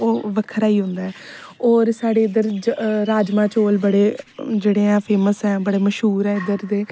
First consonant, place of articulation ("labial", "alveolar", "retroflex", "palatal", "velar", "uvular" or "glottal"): labial